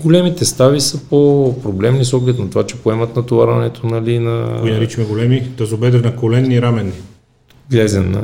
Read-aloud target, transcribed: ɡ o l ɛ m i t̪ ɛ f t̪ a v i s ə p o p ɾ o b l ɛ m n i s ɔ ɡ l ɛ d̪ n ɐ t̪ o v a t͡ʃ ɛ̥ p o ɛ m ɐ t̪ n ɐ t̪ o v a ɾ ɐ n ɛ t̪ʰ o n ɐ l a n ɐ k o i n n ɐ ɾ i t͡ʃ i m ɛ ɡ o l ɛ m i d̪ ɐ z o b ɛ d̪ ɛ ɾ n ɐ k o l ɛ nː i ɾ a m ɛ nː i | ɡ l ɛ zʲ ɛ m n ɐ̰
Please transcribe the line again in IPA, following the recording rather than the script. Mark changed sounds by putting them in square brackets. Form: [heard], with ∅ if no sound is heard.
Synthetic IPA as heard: ɡ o l ɛ m i t̪ ɛ [s] t̪ a v i s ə p o p ɾ o b l ɛ m n i s ɔ ɡ l ɛ [t̪] n ɐ t̪ o v a t͡ʃ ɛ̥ p o ɛ m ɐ t̪ n ɐ t̪ o v a ɾ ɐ n ɛ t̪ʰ o n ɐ l [i] n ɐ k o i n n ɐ ɾ i t͡ʃ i m ɛ ɡ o l ɛ m i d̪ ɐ z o b ɛ d̪ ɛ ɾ n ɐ k o l ɛ nː i ɾ a m ɛ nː i | ɡ l ɛ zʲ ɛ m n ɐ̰